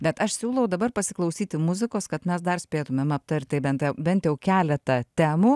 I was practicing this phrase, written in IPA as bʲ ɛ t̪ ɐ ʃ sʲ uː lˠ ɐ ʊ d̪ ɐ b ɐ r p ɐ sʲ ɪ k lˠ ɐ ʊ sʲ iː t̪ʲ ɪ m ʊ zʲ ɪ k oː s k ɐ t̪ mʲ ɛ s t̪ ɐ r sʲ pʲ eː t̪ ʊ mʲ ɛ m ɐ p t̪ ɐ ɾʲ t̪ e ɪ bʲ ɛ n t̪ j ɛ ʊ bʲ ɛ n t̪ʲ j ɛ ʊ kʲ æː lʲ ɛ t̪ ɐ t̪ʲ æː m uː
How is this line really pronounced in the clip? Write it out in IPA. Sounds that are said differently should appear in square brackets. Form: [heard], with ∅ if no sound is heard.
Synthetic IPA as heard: bʲ ɛ t̪ ɐ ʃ sʲ uː lˠ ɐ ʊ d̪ ɐ b ɐ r p ɐ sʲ ɪ k lˠ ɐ ʊ sʲ iː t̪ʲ ɪ m ʊ zʲ ɪ k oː s k ɐ t̪ mʲ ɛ s [d̪] ɐ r sʲ pʲ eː t̪ ʊ mʲ ɛ m ɐ p t̪ ɐ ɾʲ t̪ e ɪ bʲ ɛ n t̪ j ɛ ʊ bʲ ɛ n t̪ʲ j ɛ ʊ kʲ æː lʲ ɛ t̪ ɐ t̪ʲ æː m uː